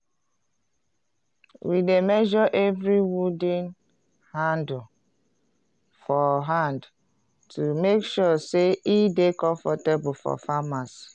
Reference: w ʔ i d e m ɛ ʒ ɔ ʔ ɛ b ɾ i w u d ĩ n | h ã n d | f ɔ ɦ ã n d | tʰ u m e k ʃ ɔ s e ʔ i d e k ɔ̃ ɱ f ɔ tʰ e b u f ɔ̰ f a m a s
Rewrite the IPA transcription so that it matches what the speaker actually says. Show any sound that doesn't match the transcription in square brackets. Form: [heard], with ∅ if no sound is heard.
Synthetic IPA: w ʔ i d e m ɛ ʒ ɔ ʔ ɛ [v] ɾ i w u d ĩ n | h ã n d | f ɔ ɦ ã n d | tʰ u m e k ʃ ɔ s e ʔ i d e k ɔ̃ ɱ f ɔ [t] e b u f ɔ̰ f a m a s